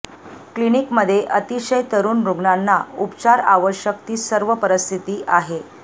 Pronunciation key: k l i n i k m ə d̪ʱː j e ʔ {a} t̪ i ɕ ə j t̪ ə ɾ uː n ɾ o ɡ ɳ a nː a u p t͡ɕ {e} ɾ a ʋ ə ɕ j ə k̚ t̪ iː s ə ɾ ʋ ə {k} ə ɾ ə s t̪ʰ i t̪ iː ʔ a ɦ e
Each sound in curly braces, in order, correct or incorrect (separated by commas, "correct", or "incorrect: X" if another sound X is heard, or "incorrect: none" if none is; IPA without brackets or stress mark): incorrect: ə, incorrect: a, incorrect: p